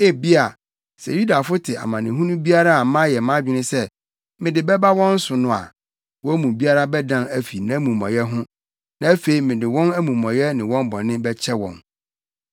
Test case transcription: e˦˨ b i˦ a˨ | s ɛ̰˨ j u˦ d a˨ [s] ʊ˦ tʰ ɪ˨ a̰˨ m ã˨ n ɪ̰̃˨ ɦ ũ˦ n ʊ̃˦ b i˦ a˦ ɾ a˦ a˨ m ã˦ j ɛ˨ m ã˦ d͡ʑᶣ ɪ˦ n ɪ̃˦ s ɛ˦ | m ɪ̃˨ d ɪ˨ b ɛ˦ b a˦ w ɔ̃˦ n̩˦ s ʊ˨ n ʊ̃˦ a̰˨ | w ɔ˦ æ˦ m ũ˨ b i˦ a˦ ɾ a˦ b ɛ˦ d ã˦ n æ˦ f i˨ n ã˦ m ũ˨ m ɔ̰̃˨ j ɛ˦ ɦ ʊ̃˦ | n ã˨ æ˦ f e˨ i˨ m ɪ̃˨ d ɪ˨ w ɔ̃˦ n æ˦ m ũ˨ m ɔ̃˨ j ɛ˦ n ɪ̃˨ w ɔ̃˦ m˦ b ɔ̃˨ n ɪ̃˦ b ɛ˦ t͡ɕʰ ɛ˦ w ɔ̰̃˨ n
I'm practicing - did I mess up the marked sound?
yes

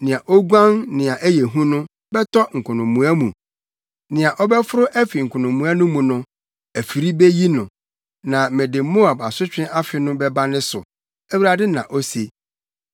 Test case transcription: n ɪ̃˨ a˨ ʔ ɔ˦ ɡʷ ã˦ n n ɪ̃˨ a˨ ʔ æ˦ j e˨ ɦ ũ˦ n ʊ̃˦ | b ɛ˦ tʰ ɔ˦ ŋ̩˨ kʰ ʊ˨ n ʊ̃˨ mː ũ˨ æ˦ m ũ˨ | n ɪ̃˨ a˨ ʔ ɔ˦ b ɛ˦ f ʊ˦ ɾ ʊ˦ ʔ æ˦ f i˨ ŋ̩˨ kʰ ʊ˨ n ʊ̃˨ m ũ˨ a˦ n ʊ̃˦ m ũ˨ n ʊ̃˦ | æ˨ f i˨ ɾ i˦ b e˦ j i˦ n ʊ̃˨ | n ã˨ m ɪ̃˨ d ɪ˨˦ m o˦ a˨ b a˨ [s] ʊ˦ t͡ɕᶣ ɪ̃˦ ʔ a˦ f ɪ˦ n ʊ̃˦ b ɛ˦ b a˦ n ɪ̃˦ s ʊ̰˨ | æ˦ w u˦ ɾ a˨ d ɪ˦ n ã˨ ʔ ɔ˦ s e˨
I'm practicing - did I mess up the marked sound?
no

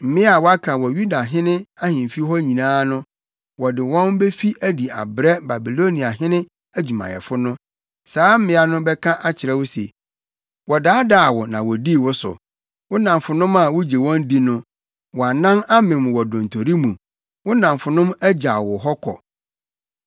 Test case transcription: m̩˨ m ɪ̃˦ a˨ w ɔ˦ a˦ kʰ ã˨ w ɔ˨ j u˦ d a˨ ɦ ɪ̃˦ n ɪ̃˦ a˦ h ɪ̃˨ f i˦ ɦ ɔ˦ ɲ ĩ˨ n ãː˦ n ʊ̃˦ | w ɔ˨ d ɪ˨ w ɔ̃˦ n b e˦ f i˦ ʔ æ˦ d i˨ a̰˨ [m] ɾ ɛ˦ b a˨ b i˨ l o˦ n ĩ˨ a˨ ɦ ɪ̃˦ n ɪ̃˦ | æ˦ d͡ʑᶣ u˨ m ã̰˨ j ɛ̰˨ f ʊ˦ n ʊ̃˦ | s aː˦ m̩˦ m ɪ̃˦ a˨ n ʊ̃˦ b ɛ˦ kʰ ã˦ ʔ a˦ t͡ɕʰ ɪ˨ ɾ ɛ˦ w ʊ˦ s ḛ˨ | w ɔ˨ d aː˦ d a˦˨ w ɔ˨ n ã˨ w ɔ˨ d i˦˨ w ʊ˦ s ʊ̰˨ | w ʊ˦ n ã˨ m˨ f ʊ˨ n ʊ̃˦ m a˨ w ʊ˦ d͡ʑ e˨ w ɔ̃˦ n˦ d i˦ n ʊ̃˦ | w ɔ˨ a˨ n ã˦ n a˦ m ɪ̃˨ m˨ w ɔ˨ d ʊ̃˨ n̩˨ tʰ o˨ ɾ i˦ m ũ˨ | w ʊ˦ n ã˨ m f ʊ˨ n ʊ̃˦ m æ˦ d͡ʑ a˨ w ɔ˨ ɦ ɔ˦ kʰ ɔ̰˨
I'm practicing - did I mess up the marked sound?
yes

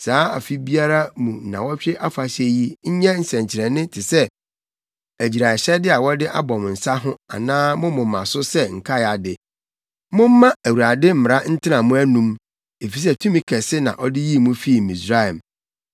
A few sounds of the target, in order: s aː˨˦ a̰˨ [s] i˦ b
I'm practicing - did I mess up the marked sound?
yes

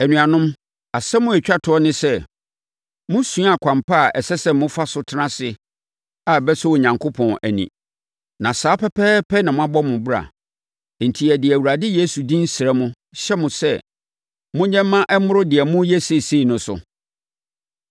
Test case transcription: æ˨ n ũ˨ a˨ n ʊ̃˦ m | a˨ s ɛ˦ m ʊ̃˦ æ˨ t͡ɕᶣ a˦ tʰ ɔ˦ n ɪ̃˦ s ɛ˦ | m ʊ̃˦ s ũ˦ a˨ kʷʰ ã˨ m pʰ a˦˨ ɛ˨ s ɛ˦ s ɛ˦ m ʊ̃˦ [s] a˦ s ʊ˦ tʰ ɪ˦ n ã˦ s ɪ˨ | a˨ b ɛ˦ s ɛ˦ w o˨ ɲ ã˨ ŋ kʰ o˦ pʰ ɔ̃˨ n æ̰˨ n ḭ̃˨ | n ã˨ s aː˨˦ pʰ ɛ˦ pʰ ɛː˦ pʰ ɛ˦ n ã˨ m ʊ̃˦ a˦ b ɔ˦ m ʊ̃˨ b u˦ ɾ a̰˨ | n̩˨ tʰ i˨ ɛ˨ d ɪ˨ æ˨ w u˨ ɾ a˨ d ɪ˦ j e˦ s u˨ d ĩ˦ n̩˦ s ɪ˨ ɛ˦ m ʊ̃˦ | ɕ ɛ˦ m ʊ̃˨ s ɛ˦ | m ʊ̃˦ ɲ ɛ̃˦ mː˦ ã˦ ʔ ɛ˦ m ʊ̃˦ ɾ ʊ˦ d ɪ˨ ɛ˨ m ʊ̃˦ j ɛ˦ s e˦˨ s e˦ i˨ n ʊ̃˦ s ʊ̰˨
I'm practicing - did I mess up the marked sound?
yes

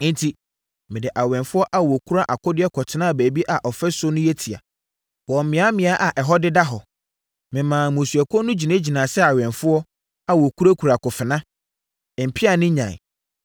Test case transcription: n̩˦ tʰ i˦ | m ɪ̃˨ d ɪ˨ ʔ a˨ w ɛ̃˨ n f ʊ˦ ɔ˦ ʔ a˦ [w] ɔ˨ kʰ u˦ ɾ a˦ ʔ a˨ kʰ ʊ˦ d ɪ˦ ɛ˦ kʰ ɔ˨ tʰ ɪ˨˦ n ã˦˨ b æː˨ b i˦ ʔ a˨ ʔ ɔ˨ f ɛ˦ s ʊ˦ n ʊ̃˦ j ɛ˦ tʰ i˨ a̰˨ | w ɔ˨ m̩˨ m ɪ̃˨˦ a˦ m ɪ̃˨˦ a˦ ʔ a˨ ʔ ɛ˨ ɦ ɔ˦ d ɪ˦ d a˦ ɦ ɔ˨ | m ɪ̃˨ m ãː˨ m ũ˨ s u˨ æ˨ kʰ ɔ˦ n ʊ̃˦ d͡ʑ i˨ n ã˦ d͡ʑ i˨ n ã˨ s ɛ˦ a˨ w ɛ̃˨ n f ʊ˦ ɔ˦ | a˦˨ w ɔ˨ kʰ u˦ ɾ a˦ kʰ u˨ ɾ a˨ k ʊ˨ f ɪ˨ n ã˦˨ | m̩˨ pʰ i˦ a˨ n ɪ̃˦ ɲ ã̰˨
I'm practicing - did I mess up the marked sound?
no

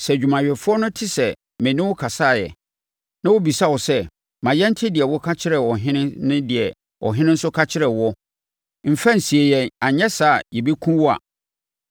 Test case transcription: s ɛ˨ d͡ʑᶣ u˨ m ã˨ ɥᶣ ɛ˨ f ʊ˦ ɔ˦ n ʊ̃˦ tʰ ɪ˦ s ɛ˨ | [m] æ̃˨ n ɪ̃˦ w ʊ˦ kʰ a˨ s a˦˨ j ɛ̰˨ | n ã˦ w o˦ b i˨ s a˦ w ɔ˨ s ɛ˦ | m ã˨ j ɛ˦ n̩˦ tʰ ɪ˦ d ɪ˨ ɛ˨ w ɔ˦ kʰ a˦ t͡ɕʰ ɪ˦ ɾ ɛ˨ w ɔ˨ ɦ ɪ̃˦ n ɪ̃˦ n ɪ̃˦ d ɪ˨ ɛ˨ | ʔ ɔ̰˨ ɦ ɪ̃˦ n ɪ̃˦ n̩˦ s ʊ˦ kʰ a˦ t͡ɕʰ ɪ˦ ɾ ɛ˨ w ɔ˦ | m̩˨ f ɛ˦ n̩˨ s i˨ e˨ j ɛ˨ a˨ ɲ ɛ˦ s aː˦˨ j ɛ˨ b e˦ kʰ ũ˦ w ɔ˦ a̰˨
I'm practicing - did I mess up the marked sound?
no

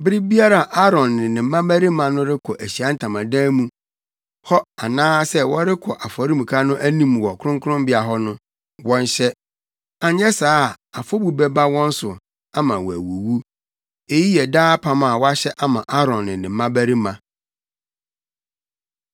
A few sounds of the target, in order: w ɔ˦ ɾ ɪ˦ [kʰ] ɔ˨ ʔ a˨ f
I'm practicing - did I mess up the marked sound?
no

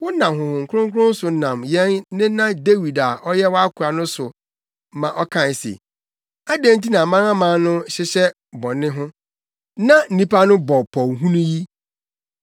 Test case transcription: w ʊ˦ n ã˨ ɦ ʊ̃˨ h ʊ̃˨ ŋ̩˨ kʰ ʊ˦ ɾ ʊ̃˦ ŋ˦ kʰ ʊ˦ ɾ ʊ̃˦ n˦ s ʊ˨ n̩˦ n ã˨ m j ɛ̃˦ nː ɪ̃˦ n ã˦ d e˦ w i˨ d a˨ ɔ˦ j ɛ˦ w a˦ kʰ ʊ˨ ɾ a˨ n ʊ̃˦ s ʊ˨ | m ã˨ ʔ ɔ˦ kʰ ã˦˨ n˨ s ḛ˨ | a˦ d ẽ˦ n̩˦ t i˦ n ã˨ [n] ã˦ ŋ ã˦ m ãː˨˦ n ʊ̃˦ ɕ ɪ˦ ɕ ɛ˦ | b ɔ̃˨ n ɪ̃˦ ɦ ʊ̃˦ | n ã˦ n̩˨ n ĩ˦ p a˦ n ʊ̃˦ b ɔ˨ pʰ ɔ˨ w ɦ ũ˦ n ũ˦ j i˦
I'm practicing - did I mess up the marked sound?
yes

